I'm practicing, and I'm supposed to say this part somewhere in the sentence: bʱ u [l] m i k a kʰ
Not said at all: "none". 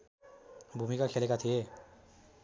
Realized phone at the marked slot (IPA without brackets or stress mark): none